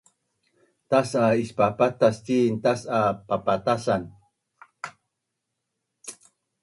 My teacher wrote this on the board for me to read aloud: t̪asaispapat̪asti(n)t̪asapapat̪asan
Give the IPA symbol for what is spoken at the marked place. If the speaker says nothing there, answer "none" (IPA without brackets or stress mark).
n